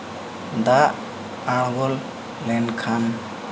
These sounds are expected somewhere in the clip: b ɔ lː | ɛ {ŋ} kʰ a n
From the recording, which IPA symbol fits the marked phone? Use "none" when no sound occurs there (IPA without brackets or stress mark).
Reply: n